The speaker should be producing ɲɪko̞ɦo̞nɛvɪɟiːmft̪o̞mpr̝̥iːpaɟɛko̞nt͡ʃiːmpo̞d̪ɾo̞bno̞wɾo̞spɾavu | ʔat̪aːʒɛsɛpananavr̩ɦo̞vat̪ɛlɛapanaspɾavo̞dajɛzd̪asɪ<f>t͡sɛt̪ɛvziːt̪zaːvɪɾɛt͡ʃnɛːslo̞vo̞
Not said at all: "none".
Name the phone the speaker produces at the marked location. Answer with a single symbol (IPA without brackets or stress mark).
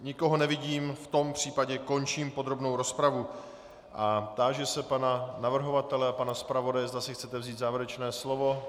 x